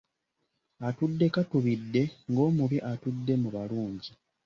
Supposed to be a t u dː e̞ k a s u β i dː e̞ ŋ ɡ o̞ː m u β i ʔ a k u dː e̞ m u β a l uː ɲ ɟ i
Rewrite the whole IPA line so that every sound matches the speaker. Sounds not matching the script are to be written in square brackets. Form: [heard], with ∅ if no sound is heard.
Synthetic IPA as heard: a t u dː e̞ k a [t] u β i dː e̞ ŋ ɡ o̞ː m u β i ʔ a [t] u dː e̞ m u β a l uː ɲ ɟ i